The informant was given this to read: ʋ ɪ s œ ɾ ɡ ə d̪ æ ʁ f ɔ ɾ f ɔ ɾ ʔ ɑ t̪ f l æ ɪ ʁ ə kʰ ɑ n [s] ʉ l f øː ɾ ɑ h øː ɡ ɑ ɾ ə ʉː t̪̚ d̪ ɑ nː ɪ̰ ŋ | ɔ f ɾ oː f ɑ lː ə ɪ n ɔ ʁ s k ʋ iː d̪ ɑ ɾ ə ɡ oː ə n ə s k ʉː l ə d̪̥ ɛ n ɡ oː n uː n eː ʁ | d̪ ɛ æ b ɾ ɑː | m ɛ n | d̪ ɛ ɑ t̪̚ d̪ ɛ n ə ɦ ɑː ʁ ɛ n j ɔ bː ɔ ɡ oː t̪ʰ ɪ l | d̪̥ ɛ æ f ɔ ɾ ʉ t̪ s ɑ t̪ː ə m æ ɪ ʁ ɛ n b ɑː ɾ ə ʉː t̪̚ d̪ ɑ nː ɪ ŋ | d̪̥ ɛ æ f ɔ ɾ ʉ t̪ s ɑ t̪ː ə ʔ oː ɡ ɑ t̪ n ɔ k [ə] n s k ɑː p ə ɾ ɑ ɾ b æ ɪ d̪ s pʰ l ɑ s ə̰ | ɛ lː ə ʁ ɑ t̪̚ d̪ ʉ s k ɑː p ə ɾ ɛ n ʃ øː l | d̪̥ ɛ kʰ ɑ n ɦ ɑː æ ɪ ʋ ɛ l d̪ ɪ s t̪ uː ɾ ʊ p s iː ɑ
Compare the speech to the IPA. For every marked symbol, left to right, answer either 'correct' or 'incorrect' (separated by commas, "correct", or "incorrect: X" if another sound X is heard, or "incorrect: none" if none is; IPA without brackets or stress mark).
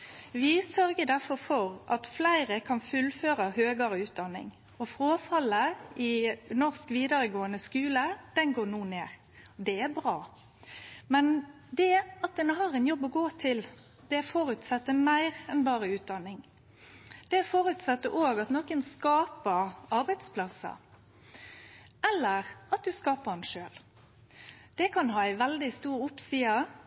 incorrect: f, correct